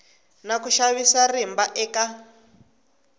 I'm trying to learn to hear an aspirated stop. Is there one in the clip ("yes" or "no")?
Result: no